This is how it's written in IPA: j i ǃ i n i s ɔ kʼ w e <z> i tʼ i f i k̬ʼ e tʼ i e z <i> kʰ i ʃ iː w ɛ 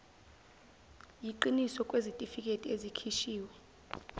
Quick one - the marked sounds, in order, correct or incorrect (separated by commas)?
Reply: correct, correct